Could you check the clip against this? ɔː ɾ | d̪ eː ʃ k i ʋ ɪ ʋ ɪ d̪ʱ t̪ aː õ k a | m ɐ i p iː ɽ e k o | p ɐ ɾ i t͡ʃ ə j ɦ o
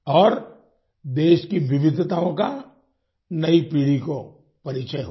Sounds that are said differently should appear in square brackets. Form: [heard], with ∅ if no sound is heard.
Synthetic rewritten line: ɔː ɾ | d̪ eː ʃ k i ʋ ɪ ʋ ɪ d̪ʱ t̪ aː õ k a | [n] ɐ i p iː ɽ [i] k o | p ɐ ɾ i t͡ʃ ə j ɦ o